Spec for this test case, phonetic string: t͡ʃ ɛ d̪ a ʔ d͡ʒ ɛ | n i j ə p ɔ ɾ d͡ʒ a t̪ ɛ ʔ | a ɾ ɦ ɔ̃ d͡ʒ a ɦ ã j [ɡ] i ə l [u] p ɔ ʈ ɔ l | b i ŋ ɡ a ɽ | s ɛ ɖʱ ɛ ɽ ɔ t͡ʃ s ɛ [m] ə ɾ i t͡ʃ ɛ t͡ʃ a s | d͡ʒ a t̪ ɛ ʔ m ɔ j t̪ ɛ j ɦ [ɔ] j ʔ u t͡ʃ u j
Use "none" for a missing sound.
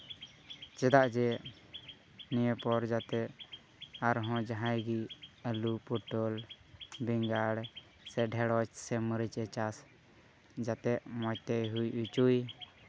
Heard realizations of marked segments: ɡ, u, m, u

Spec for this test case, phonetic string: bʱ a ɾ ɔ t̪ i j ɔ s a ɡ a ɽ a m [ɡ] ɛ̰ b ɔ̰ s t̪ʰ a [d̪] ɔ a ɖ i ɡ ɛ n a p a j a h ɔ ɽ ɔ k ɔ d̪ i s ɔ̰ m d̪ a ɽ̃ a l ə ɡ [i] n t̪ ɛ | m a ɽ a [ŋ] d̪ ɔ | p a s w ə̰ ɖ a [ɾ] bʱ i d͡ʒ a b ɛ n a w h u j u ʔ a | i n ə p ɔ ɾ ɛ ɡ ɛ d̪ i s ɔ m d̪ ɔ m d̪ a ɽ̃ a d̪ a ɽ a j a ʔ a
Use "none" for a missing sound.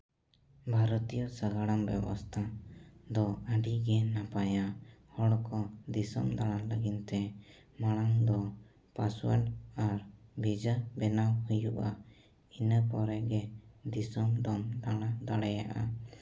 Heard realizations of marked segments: b, d̪, i, ŋ, ɾ

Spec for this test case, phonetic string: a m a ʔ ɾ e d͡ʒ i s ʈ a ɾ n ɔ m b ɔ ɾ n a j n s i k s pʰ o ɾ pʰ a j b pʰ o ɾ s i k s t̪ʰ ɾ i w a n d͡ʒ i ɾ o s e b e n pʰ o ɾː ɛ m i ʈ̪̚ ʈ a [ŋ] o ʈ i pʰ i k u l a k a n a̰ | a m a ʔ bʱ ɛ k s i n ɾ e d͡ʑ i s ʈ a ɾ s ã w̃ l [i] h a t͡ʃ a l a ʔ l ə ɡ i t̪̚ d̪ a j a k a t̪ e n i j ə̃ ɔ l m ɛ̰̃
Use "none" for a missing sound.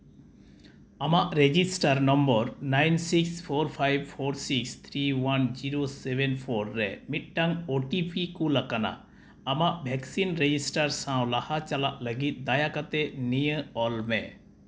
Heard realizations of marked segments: ŋ, a

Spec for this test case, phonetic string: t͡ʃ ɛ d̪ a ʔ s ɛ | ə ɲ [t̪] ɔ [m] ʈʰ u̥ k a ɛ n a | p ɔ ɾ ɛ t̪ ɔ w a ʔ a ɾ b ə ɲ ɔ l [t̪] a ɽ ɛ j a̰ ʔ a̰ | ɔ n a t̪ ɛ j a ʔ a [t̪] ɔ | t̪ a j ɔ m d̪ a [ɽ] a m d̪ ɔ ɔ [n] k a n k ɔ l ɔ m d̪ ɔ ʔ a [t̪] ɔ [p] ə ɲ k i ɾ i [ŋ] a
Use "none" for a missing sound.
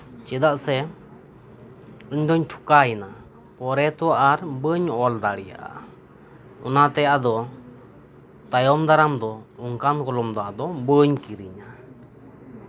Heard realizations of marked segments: d̪, ɲ, d̪, d̪, ɾ, ŋ, d̪, b, ɲ

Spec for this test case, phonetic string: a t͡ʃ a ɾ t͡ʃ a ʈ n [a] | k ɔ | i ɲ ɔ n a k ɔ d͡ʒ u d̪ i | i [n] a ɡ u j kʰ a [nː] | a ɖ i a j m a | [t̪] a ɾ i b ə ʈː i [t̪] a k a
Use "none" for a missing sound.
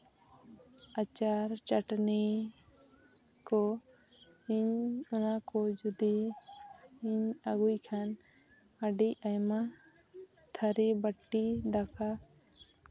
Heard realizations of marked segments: i, ɲ, n, t̪ʰ, d̪

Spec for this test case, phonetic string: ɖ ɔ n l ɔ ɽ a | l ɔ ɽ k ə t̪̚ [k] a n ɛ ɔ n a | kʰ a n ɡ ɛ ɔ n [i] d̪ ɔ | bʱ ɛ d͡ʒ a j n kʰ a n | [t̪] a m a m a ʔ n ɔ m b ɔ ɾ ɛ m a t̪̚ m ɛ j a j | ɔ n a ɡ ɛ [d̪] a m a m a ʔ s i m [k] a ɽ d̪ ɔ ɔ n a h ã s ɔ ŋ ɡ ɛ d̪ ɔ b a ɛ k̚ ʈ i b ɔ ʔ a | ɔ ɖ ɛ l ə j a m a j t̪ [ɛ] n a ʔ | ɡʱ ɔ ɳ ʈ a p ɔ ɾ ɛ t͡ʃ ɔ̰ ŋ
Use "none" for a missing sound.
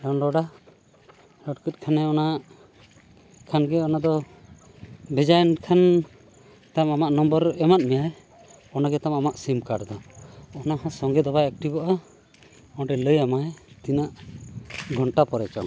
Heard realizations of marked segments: kʰ, a, t̪, t̪, k, i

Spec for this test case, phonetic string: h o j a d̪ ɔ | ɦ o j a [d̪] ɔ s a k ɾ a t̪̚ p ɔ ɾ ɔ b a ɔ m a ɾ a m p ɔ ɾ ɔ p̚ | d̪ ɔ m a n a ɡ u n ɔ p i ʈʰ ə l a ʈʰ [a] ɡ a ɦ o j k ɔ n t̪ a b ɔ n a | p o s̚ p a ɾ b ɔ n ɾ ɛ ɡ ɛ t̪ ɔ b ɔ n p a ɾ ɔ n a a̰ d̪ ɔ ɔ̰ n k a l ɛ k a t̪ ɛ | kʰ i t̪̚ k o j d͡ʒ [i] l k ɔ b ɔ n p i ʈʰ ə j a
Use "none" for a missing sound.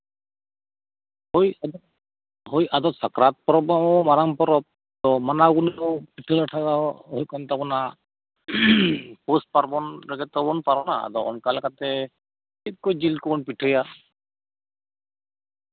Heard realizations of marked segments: d̪, a, i

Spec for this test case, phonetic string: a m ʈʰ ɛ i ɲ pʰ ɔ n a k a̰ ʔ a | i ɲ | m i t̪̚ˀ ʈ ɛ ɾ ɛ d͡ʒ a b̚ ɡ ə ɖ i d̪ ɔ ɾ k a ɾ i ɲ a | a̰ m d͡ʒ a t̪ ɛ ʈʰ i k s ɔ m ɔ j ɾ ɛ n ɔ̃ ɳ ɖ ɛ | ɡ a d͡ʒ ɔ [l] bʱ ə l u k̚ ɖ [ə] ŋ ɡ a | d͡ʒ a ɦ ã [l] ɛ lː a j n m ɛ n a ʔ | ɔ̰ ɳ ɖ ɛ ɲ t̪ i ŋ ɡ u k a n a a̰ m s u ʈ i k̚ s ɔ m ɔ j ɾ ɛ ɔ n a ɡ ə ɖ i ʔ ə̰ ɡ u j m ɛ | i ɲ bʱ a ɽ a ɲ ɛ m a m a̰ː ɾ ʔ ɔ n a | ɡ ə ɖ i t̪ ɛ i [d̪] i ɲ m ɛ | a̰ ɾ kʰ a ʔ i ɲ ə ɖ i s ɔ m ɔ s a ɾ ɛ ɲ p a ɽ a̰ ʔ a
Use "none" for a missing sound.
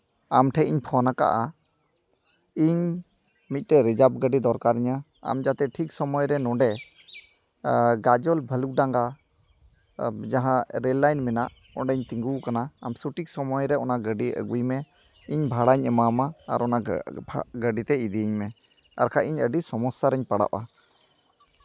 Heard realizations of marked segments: l, a, ɾ, d̪

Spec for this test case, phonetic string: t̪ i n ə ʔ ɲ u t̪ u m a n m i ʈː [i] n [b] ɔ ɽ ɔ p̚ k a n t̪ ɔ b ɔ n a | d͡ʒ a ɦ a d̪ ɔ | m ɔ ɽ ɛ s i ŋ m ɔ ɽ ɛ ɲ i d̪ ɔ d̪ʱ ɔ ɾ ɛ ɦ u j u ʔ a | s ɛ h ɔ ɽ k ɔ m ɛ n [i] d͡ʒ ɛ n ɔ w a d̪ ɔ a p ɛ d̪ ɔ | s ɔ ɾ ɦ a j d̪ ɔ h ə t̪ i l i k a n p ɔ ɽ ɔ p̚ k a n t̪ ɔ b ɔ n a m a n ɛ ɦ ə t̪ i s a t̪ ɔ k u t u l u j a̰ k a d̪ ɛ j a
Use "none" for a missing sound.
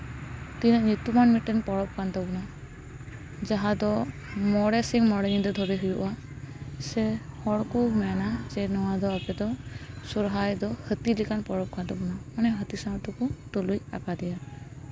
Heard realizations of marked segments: ɛ, p, a

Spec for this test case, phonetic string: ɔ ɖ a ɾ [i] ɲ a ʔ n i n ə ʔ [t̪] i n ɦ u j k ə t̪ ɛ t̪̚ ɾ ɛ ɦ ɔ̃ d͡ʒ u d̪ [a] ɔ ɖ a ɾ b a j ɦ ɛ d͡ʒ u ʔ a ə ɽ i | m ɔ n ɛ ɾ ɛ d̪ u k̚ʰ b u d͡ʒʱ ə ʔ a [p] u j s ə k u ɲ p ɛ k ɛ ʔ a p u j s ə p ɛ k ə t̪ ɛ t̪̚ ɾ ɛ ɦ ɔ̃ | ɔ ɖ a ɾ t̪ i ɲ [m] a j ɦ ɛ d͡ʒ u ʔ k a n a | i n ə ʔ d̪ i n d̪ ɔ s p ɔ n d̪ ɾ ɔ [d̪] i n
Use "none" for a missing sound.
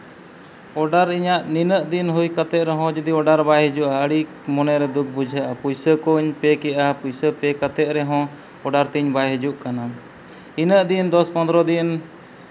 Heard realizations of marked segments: i, d̪, i, p, b, d̪

